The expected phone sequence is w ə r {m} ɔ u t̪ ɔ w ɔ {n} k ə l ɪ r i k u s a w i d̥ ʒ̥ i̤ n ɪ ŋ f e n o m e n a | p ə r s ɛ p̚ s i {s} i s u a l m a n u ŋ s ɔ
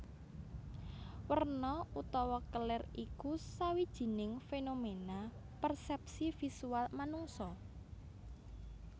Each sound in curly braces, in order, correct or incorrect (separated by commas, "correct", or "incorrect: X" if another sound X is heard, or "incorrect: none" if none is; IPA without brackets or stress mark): incorrect: n, incorrect: none, incorrect: f